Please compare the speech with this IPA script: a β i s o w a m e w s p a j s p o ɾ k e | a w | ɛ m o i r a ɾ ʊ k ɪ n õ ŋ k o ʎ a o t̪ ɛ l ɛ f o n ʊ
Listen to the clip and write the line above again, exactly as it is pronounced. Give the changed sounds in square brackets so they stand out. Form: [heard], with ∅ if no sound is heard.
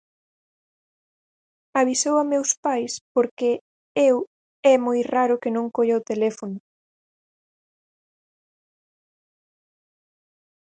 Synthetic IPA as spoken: a β i s o w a m e w s p a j s p o ɾ k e | [e] w | ɛ m o [j] r a ɾ ʊ k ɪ n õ ŋ k o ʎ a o t̪ [e] l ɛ f o n ʊ